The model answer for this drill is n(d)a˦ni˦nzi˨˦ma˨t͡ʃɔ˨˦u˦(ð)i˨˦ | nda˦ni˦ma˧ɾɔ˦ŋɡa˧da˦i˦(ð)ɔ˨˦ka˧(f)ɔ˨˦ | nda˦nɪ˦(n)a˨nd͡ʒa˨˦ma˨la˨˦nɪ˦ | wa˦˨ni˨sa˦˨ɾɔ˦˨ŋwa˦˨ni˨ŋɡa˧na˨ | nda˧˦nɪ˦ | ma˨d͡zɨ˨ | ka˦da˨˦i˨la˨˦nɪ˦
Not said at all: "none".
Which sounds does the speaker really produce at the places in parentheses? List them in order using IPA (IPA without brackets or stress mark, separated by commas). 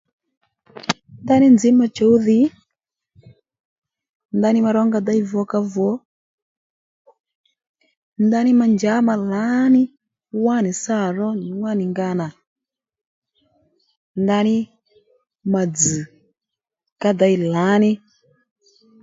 d, ð, v, v, m